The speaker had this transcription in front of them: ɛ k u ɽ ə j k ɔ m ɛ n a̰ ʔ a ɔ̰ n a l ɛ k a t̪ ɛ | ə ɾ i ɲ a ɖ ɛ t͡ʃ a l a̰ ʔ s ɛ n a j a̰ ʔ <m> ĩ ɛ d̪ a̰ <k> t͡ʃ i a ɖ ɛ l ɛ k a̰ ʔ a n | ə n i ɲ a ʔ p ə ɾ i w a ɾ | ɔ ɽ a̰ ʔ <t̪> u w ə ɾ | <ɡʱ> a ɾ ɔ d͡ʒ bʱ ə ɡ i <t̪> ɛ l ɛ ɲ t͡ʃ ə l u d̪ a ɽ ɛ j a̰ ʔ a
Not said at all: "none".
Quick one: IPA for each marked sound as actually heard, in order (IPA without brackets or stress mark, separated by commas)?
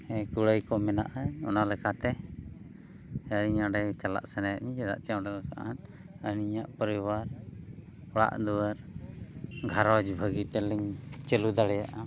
ɲ, ʔ, d̪, ɡʱ, t̪